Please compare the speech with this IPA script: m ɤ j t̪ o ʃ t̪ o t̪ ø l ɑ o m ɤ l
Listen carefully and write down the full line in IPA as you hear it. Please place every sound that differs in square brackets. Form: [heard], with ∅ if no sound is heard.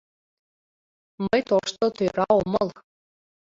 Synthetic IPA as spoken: m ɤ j t̪ o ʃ t̪ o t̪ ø [ɾ] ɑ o m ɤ l

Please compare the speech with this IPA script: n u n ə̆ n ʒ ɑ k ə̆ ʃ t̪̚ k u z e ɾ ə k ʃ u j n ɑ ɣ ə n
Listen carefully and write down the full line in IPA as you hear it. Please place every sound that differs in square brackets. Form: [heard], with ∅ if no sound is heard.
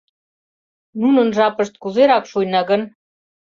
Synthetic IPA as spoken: n u n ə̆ n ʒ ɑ [p] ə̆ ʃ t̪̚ k u z e ɾ [ɑ] k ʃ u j n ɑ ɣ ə n

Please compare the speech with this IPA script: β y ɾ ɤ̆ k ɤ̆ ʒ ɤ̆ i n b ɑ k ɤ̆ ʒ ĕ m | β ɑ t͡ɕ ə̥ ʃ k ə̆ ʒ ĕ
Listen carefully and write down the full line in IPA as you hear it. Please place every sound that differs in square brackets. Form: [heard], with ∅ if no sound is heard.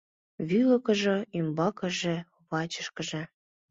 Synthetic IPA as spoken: β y [l] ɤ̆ k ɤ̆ ʒ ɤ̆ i [m] b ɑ k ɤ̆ ʒ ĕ [∅] | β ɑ t͡ɕ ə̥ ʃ k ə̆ ʒ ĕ

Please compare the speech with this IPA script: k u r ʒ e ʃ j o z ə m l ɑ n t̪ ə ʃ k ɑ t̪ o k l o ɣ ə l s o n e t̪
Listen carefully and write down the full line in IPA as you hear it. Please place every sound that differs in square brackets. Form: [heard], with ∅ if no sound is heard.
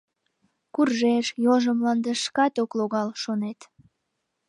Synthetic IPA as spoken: k u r ʒ e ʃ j o [ʒ] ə m l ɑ n [d̪] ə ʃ k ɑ t̪ o k l o ɣ [ɑ] l [ʃ] o n e t̪

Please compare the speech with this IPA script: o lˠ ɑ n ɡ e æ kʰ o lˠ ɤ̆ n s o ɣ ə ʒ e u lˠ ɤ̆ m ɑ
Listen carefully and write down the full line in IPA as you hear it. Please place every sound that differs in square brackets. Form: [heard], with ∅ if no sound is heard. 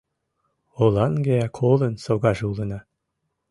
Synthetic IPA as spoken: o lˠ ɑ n ɡ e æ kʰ o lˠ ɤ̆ n s o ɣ [ɑ] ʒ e u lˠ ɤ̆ [n] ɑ

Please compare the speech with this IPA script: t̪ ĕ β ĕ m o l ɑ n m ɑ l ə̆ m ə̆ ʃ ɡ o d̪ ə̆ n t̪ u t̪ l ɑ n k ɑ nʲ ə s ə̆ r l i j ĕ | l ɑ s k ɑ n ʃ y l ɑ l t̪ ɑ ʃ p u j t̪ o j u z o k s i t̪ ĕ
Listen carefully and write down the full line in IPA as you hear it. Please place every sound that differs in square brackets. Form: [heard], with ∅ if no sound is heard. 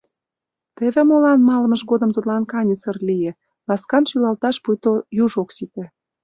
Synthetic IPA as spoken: t̪ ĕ β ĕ m o l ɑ n m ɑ l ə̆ m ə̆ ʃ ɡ o d̪ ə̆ [m] t̪ u t̪ l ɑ n k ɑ nʲ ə s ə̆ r l i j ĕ | l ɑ s k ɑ n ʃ y l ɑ l t̪ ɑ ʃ p u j t̪ o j u [ʒ] o k s i t̪ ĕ

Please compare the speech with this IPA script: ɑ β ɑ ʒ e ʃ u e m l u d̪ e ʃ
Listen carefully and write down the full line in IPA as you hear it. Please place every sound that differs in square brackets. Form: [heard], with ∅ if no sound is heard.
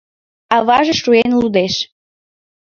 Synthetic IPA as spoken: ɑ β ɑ ʒ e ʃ u e [n] l u d̪ e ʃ

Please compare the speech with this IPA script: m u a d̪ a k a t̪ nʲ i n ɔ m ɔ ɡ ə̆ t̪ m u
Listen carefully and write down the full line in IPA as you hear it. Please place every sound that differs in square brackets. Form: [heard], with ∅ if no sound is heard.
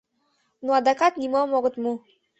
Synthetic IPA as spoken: [n] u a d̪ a k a t̪ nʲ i [m] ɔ m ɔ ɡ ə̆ t̪ m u

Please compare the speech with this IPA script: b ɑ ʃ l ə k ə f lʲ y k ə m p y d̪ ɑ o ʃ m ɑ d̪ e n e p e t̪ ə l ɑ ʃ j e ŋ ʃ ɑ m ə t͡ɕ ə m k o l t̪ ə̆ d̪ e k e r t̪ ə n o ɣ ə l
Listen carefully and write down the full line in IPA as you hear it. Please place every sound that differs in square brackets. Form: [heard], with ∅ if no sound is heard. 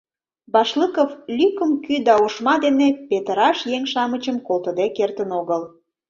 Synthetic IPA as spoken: b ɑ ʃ l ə k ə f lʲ y k ə m [k] y d̪ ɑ o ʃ m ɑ d̪ e n e p e t̪ ə [ɾ] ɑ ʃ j e ŋ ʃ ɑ m ə t͡ɕ ə m k o l t̪ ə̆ d̪ e k e r t̪ ə n o ɣ ə l

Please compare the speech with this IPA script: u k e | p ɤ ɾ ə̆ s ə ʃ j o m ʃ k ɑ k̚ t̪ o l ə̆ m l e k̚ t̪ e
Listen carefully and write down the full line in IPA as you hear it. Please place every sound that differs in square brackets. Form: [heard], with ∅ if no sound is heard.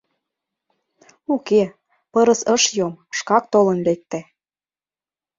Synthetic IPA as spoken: u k e | p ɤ ɾ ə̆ s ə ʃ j o m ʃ k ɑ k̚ t̪ o l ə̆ [n] l e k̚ t̪ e

